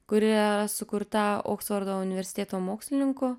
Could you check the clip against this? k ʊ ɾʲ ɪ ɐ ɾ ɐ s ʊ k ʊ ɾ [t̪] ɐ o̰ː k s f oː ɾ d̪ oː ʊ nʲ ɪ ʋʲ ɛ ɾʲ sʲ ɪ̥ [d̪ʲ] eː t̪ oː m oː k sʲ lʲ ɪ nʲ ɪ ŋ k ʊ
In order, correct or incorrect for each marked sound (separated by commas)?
correct, incorrect